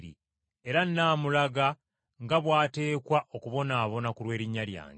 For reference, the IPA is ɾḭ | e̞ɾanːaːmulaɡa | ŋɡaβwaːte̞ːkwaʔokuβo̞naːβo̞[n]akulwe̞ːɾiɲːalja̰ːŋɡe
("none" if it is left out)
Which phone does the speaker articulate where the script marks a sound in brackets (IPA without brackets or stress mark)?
n